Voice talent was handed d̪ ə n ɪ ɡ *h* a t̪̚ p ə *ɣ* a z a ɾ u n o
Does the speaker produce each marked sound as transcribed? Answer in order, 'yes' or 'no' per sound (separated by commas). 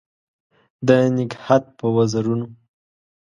yes, no